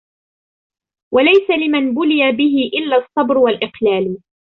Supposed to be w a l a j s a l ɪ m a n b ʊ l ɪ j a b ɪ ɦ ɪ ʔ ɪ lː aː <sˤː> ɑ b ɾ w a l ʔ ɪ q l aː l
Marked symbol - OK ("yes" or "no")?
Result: yes